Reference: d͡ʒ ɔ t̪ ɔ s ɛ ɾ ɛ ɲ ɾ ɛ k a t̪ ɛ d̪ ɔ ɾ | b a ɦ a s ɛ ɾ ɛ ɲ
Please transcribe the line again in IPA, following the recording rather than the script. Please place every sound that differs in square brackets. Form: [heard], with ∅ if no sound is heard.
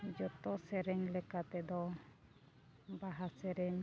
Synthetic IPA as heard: d͡ʒ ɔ t̪ ɔ s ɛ ɾ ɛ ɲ [l] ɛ k a t̪ ɛ d̪ ɔ [∅] | b a ɦ a s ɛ ɾ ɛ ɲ